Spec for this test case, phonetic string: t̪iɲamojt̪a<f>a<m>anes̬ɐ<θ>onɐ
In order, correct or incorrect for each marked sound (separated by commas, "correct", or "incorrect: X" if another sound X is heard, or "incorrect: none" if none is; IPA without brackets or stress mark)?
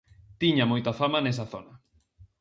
correct, correct, correct